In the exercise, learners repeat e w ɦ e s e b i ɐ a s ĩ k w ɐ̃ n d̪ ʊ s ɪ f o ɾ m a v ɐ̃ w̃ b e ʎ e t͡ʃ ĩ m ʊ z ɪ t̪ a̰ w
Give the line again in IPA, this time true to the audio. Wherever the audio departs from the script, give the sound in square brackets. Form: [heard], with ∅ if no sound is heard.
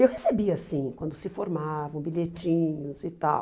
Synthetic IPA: e w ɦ e s e b i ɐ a s ĩ k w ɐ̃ n d̪ ʊ s ɪ f o ɾ m a v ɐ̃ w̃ b [i] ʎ e t͡ʃ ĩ [ɲ] ʊ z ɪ t̪ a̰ w